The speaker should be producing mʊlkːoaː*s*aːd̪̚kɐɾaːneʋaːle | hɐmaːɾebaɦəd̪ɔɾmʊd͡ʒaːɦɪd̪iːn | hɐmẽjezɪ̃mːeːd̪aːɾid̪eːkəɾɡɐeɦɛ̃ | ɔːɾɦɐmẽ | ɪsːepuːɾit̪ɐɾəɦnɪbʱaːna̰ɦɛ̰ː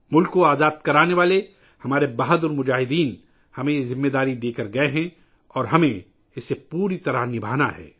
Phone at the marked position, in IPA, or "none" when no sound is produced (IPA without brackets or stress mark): z